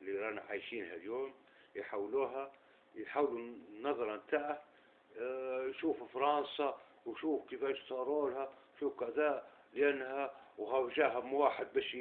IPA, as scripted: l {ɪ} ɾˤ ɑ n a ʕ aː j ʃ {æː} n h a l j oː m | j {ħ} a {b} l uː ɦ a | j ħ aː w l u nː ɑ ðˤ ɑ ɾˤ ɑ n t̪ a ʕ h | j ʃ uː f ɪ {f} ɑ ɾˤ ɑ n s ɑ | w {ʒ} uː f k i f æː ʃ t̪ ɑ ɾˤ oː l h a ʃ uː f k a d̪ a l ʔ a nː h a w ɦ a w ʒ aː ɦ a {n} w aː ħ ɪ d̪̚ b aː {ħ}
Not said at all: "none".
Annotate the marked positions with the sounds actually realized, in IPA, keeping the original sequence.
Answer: i, iː, ħ, w, f, ʃ, m, ʃ

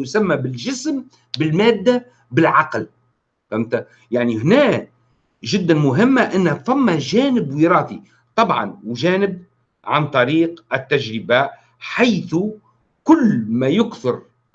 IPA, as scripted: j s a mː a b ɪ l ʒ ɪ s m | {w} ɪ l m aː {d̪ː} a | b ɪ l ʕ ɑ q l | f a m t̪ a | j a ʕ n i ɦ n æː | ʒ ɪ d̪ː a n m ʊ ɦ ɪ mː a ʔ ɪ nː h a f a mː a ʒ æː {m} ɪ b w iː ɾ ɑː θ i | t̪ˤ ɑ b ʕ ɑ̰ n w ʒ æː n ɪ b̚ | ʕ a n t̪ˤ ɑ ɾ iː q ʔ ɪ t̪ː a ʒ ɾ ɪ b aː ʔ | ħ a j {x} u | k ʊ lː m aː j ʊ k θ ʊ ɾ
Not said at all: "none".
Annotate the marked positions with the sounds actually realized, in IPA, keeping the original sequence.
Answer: b, d̪ː, n, θ

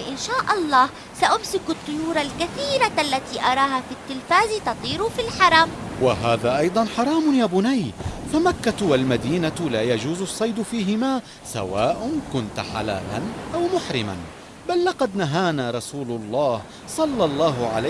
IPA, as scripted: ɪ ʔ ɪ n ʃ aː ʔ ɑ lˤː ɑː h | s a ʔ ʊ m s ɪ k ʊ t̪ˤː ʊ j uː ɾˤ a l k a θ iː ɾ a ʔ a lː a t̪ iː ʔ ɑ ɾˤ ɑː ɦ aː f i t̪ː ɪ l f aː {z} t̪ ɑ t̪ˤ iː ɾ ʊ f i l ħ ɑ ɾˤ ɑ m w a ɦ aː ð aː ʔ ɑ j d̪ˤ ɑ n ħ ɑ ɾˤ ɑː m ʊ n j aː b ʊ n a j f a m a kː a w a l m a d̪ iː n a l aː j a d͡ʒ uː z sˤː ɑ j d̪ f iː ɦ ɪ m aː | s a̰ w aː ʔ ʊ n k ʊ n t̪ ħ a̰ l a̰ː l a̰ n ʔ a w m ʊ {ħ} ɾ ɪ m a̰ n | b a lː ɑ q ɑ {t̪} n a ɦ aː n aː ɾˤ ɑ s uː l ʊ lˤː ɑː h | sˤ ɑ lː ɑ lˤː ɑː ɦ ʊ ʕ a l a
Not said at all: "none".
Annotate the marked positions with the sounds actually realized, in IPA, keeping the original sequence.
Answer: z, ħ, d̪

